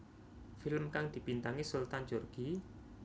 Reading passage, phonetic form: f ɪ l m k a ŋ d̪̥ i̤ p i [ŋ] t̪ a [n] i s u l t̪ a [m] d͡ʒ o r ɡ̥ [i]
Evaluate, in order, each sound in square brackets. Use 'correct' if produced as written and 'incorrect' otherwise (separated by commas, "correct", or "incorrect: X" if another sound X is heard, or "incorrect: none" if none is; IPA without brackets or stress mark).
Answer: incorrect: n, incorrect: ŋ, incorrect: n, correct